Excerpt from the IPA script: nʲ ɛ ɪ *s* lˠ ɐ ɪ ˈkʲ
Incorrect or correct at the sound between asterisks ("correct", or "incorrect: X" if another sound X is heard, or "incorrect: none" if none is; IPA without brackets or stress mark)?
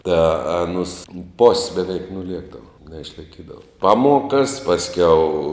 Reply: incorrect: ʃ